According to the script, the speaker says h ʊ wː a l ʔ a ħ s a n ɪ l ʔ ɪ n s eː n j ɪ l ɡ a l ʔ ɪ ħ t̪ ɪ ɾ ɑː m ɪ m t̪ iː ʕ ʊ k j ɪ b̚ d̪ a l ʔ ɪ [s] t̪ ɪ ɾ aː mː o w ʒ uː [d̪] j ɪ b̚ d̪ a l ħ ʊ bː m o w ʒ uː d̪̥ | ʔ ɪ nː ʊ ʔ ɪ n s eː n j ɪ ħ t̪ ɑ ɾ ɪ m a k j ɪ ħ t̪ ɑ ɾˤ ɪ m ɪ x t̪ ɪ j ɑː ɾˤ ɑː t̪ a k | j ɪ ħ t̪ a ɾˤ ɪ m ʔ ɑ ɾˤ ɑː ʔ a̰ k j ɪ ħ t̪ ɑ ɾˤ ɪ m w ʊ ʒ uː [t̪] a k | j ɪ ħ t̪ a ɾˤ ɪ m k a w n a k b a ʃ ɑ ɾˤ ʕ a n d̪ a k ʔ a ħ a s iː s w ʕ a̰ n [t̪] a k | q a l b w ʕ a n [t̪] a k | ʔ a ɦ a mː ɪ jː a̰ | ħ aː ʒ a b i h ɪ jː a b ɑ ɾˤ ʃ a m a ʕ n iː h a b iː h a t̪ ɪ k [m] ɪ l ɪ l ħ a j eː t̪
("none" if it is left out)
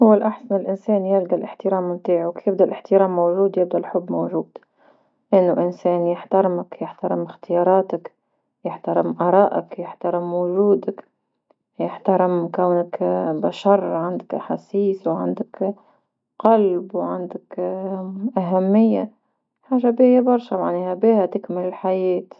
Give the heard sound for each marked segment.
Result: ħ, d̪, d̪, d̪, d̪, m

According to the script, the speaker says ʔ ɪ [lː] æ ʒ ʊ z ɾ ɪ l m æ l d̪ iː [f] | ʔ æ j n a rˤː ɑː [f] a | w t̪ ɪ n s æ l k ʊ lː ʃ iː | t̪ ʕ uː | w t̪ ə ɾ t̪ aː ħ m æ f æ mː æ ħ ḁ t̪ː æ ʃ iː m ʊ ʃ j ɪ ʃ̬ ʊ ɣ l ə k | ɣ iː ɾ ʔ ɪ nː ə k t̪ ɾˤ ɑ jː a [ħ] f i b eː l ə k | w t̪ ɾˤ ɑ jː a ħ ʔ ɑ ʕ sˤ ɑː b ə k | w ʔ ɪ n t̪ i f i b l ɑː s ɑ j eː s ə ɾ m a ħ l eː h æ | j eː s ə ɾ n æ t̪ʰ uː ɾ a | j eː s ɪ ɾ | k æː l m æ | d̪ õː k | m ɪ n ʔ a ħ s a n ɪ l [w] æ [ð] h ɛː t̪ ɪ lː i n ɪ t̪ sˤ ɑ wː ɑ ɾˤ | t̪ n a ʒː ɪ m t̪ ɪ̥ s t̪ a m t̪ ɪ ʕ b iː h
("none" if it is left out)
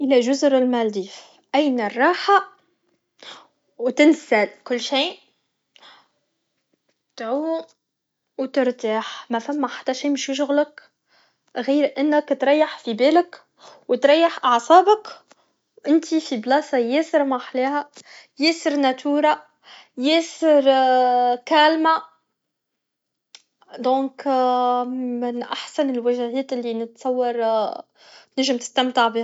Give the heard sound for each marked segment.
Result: l, f, ħ, ħ, w, ʒ

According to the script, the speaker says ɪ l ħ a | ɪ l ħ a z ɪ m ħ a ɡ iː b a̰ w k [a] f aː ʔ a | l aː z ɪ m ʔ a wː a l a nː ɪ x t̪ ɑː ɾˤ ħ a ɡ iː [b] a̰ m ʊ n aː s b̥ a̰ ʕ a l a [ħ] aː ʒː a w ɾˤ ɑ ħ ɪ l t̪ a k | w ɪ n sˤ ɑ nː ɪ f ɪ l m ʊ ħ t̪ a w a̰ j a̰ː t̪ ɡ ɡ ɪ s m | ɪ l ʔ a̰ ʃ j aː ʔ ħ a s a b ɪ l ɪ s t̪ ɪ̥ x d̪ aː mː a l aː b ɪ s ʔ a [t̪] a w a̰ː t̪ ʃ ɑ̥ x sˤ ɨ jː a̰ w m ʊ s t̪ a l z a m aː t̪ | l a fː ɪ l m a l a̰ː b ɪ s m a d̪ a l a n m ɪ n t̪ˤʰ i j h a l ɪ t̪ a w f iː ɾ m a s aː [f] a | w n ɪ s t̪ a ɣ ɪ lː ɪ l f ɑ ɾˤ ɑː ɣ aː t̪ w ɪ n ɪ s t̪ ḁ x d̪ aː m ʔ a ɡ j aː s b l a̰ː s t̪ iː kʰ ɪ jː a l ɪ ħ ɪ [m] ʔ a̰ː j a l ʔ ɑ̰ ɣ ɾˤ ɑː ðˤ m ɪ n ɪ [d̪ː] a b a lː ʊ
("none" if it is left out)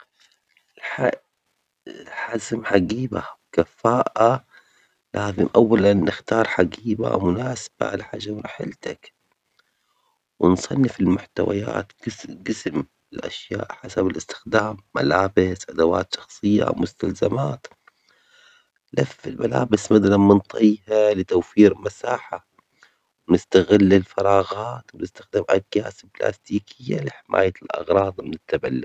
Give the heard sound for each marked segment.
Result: a, b, ħ, d̪, ħ, m, t̪ː

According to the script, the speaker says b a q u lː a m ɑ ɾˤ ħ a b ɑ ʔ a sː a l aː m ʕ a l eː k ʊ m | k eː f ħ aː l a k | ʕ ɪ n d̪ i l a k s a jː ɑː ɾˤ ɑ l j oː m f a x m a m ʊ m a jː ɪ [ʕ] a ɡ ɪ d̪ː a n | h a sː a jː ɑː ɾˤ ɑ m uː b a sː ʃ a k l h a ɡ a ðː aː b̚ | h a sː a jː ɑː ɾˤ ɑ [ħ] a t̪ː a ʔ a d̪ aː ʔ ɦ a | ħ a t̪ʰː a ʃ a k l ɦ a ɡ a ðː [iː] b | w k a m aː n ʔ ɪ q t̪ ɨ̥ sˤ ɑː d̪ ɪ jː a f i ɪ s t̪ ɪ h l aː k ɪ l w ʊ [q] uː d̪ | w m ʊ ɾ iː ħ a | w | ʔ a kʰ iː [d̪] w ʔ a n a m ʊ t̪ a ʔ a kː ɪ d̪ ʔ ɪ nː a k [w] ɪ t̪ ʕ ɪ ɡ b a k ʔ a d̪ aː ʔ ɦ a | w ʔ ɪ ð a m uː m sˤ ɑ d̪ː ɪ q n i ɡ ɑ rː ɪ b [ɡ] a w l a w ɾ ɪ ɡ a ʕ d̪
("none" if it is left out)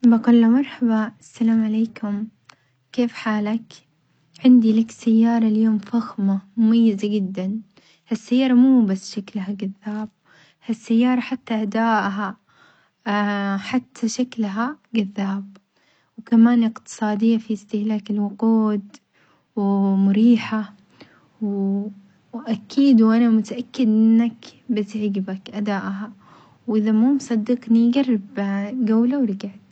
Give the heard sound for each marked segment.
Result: z, ħ, aː, q, d̪, b, ɡ

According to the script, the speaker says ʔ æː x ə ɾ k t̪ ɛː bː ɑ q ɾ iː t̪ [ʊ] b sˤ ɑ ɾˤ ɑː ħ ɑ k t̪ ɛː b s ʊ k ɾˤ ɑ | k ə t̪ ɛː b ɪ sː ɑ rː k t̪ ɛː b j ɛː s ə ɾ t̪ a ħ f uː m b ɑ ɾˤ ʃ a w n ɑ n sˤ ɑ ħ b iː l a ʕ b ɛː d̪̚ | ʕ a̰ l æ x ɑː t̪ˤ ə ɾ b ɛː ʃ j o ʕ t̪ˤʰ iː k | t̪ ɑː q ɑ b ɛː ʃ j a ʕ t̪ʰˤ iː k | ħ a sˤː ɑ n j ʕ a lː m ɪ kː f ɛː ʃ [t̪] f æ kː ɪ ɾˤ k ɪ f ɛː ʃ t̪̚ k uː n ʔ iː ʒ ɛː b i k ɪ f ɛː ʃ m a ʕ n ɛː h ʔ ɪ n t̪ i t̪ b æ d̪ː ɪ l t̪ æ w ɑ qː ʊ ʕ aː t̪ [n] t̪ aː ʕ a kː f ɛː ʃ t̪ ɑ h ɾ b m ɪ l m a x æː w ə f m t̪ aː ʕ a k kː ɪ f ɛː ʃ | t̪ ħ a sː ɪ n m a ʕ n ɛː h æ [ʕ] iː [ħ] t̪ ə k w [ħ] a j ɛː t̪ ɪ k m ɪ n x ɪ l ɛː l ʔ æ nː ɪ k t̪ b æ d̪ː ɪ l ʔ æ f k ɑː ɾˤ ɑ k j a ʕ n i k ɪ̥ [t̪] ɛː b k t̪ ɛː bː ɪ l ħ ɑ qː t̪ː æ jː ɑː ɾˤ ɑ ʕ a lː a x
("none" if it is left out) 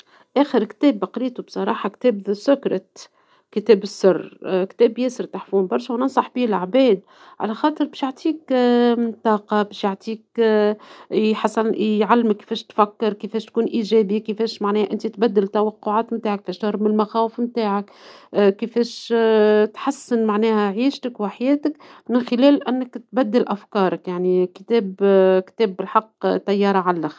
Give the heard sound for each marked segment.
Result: u, t̪, m, ʕ, ʃ, ħ, t̪

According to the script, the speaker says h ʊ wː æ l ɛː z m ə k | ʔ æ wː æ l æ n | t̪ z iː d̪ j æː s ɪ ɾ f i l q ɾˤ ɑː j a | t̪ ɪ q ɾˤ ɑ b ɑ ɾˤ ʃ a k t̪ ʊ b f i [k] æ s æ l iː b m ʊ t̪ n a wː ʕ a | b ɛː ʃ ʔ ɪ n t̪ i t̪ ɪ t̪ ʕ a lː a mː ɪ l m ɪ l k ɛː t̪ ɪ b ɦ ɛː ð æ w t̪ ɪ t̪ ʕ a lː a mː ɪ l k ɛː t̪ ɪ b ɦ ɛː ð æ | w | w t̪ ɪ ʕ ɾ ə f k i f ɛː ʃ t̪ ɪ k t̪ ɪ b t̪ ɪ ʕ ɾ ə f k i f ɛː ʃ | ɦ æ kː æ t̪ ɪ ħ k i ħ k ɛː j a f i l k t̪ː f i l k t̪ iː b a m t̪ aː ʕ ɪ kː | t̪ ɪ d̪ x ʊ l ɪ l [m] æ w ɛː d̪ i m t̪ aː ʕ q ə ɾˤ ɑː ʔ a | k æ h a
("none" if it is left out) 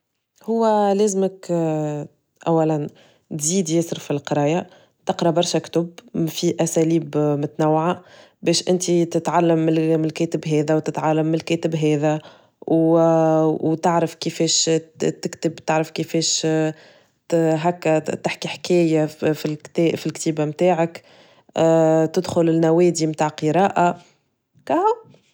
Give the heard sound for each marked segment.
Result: ʔ, n

